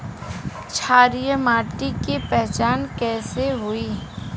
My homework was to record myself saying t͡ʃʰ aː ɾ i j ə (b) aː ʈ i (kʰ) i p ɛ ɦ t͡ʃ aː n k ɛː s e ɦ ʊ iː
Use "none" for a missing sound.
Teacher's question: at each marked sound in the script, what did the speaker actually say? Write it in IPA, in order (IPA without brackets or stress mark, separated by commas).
m, k